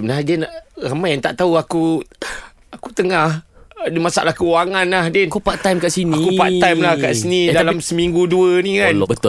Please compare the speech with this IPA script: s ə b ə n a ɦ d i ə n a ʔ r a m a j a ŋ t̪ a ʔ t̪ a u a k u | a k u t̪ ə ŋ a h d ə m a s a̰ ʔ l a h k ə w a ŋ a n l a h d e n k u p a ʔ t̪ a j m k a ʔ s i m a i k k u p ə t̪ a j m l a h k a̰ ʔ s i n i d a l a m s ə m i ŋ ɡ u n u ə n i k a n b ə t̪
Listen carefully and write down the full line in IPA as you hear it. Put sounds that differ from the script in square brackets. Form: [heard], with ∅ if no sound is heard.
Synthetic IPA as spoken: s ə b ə n a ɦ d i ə n a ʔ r a m a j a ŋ t̪ a ʔ t̪ a u a k u | a k u t̪ ə ŋ a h d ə m a s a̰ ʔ l a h k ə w a ŋ a n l a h d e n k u p a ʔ t̪ a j m k a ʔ s i [n] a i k k u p [a] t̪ a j m l a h k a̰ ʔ s i n i d a l a m s ə m i ŋ ɡ u [d] u ə n i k a n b ə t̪